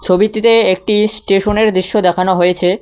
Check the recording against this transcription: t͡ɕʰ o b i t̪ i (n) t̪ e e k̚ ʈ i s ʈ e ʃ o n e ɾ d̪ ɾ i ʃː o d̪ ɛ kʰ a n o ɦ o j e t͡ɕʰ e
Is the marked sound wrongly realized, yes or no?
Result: yes